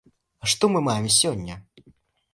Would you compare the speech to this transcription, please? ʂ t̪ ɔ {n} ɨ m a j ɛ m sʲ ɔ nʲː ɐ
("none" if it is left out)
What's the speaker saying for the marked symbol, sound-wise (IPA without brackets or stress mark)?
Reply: m